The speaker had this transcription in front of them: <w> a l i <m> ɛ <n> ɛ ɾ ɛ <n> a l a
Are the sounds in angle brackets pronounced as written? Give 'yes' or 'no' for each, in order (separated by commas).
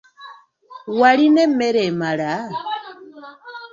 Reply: yes, no, no, no